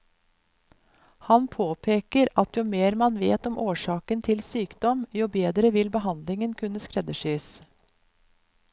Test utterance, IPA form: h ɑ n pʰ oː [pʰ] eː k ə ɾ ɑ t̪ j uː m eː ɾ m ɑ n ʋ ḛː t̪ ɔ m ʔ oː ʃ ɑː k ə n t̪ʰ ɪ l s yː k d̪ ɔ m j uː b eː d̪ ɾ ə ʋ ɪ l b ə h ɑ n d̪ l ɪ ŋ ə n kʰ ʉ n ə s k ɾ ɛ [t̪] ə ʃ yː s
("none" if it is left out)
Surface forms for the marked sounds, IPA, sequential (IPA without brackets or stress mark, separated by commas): pʰ, d̪